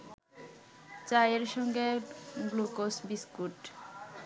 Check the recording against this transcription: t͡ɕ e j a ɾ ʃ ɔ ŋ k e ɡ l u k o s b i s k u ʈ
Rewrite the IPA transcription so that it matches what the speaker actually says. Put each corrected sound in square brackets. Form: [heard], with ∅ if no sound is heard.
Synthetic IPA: t͡ɕ [a] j [e] ɾ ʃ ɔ ŋ [ɡ] e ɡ l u k o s b i s k u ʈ